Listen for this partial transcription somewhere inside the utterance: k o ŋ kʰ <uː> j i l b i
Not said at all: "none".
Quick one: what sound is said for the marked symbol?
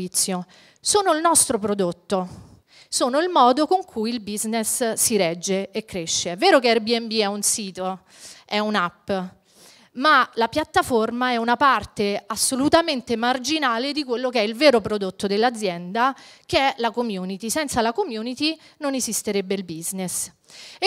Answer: u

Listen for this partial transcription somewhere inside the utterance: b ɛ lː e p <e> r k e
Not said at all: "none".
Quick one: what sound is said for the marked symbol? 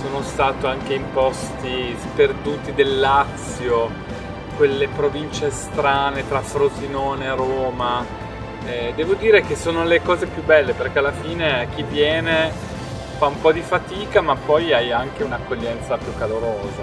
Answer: e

